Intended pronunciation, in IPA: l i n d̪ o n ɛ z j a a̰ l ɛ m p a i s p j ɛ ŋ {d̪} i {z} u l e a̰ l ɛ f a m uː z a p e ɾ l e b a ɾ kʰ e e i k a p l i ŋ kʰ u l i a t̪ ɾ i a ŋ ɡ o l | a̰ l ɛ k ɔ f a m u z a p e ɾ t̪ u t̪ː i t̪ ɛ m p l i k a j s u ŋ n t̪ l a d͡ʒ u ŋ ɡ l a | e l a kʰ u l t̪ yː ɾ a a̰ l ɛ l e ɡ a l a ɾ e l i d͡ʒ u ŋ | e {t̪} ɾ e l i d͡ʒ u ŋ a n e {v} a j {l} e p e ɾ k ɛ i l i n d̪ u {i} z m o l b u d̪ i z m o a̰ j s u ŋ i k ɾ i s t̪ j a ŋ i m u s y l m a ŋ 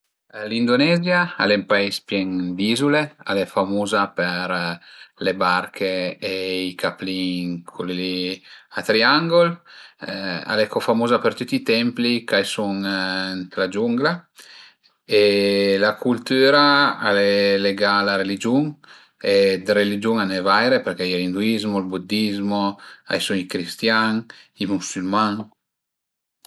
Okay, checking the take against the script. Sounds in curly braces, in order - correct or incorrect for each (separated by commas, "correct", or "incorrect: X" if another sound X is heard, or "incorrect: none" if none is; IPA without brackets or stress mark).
correct, correct, incorrect: d̪, correct, incorrect: ɾ, correct